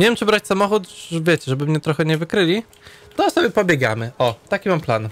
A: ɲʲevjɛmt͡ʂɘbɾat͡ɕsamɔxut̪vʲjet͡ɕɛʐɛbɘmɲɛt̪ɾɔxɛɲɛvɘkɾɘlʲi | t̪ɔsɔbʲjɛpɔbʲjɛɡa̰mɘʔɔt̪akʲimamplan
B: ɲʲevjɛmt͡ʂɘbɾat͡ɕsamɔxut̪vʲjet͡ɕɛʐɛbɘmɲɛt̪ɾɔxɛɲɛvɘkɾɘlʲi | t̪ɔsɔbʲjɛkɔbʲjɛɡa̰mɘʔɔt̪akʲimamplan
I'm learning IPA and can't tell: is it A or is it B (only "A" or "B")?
A